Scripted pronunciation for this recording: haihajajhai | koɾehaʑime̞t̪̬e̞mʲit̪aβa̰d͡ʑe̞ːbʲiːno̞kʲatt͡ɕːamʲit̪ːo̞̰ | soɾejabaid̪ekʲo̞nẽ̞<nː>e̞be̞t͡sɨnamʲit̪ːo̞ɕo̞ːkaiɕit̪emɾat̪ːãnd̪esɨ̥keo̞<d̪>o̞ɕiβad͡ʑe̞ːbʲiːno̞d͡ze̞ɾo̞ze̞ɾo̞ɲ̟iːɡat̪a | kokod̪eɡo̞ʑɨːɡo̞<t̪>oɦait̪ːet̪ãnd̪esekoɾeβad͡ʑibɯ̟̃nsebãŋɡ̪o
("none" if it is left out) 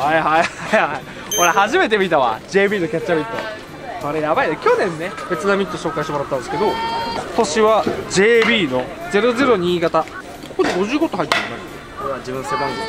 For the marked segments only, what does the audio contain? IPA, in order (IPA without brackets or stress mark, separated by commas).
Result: nː, t̪, t̪